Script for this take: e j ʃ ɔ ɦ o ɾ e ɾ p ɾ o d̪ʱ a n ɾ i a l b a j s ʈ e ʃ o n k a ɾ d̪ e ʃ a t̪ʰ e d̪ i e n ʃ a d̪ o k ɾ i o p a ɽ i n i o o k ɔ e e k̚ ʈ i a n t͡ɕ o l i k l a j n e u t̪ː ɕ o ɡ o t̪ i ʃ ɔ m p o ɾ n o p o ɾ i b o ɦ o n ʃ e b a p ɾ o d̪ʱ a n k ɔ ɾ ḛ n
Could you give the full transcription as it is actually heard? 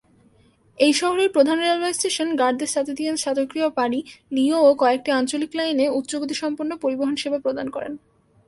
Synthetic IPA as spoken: e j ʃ ɔ ɦ o ɾ e ɾ p ɾ o d̪ʱ a n ɾ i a l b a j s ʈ e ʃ o n ɡ a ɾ d̪ e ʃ a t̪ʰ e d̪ i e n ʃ a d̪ o k ɾ i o p a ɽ i n i o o k ɔ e e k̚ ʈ i a n t͡ɕ o l i k l a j n e u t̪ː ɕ o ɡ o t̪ i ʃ ɔ m p o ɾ n o p o ɾ i b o ɦ o n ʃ e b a p ɾ o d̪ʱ a n k ɔ ɾ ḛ n